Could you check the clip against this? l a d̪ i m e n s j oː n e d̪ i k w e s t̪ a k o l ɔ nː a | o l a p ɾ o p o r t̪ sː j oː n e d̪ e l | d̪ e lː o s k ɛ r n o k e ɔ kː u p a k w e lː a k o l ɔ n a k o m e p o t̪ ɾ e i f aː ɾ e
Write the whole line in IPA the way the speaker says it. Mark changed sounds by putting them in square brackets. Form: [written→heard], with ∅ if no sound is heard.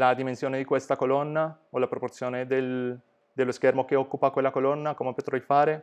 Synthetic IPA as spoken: l a d̪ i m e n s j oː n e d̪ i k w e s t̪ a k o l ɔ nː a | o l a p ɾ o p o r t̪ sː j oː n e d̪ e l | d̪ e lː o s k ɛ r [n→m] o k e ɔ kː u p a k w e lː a k o l ɔ [n→nː] a k o m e p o t̪ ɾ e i f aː ɾ e